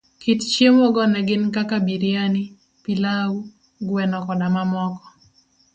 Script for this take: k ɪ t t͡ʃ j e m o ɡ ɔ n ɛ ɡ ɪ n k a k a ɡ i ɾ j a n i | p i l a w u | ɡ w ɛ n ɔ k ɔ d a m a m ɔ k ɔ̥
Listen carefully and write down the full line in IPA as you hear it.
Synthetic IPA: k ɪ t t͡ʃ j e m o ɡ ɔ n ɛ ɡ ɪ n k a k a b i ɾ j a n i | p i l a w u | ɡ w ɛ n ɔ k ɔ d a m a m ɔ k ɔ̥